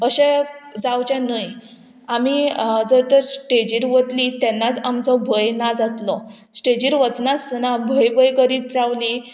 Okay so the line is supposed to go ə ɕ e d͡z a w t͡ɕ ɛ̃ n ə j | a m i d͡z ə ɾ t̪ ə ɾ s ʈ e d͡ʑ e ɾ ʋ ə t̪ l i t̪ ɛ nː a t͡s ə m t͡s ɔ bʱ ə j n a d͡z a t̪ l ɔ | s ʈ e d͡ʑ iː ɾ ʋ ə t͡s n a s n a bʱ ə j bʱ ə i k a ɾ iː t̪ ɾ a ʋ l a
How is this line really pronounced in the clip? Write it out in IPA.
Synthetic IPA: ə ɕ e d͡z a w t͡ɕ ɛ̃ n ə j | a m i d͡z ə ɾ t̪ ə ɾ s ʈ e d͡ʑ i ɾ ʋ ə t̪ l i t̪ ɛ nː a t͡s a m t͡s ɔ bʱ ə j n a d͡z a t̪ l ɔ | s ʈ e d͡ʑ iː ɾ ʋ ə t͡s n a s n a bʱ ə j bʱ ə j k ə ɾ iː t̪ ɾ a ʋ l i